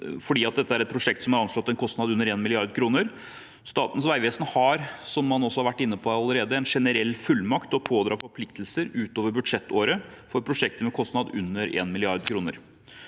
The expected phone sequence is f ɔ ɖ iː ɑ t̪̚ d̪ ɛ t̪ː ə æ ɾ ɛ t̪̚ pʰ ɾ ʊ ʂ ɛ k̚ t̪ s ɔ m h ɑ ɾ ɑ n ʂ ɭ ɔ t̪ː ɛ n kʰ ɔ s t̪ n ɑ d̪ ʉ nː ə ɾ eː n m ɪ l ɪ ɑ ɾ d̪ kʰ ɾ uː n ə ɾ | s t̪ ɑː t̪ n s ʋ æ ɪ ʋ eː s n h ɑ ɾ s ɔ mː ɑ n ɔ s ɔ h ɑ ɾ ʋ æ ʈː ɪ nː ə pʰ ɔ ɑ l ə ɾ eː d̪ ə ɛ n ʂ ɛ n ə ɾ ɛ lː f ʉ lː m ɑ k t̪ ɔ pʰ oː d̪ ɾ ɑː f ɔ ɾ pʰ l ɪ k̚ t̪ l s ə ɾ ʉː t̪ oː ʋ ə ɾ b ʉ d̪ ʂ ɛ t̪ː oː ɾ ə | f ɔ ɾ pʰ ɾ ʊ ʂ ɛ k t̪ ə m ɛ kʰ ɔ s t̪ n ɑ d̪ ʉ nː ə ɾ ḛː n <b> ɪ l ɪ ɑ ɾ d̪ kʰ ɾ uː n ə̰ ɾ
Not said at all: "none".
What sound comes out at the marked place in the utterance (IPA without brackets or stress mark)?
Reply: m